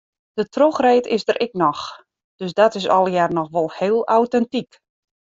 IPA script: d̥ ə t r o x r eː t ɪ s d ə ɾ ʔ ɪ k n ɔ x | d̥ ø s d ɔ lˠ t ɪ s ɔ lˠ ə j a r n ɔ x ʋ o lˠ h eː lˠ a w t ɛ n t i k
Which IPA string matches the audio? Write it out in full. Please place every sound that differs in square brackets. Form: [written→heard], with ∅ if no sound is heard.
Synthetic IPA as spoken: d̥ ə t r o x r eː t ɪ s d ə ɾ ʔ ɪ k n ɔ x | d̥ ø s d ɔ [lˠ→∅] t ɪ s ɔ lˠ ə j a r n ɔ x ʋ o lˠ h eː lˠ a w t ɛ n t i k